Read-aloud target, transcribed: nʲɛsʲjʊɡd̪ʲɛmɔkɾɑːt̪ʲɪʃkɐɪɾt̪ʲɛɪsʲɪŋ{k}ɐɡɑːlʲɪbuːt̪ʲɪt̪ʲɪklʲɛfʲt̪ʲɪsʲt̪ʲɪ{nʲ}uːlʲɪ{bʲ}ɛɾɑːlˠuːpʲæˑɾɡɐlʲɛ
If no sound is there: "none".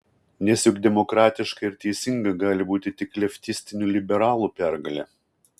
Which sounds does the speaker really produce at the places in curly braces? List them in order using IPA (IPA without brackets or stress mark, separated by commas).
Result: ɡ, nʲ, bʲ